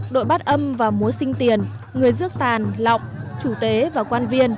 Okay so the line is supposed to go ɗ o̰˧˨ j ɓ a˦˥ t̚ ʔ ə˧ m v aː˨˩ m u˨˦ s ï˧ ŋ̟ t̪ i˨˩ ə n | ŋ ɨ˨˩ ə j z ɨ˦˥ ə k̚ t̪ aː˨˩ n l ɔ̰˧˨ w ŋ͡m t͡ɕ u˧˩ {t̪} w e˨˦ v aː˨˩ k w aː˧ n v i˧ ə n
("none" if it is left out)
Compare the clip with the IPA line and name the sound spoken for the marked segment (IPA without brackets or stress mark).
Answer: t̪